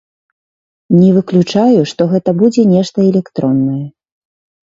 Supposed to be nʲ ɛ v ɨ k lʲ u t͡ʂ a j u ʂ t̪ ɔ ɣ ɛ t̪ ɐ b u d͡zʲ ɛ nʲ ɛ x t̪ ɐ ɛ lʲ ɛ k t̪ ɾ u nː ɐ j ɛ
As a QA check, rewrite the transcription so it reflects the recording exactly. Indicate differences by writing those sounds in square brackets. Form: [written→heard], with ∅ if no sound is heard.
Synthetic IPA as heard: nʲ ɛ v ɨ k lʲ u t͡ʂ a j u ʂ t̪ ɔ ɣ ɛ t̪ ɐ b u d͡zʲ ɛ nʲ ɛ [x→ʂ] t̪ ɐ ɛ lʲ ɛ k t̪ ɾ [u→ɔ] nː ɐ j ɛ